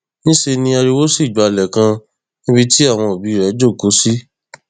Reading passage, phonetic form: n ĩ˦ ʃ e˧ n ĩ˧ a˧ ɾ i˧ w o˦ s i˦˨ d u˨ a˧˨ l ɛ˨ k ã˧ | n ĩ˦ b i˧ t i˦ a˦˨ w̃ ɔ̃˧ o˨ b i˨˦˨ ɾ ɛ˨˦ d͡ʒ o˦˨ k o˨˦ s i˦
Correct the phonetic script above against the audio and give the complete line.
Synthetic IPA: n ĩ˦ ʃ e˧ n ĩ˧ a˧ ɾ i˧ w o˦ s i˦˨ d͡ʒ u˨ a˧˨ l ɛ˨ k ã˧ | n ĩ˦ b i˧ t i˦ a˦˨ w̃ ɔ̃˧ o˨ b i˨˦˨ ɾ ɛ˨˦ d͡ʒ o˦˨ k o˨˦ s i˦